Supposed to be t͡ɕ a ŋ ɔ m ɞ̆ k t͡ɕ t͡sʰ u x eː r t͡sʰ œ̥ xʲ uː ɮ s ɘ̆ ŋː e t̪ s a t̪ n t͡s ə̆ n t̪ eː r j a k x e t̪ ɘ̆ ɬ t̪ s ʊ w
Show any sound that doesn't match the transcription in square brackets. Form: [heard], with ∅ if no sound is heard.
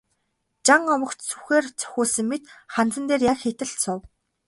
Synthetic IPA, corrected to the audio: t͡ɕ a ŋ ɔ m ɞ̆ k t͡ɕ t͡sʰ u x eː r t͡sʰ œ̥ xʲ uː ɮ s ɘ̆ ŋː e t̪ [χ] a [∅] n t͡s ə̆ n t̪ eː r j a k x e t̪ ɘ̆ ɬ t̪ s ʊ w